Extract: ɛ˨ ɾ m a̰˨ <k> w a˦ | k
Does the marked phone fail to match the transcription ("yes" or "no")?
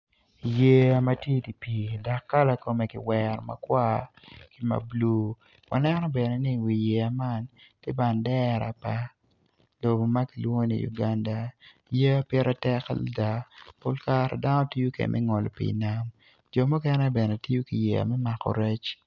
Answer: no